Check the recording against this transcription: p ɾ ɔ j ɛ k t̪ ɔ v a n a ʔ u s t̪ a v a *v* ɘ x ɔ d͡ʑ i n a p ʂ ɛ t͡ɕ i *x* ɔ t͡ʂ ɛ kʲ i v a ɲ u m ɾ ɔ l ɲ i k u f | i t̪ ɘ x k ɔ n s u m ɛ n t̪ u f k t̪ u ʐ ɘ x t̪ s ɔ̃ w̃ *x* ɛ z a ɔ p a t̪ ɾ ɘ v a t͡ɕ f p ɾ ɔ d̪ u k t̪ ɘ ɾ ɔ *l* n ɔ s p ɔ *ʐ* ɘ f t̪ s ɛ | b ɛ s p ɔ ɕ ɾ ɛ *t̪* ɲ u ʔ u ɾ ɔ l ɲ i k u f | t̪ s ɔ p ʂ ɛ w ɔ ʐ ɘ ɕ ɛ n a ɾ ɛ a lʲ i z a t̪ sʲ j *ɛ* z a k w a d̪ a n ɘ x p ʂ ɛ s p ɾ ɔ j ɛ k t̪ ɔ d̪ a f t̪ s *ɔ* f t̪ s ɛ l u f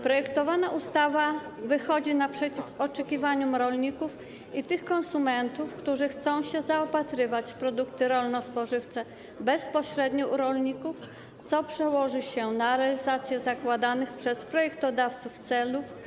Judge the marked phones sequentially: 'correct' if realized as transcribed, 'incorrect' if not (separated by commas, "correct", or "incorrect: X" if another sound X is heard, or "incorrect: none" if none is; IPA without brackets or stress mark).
correct, incorrect: f, incorrect: ɕ, correct, correct, incorrect: d̪, correct, incorrect: u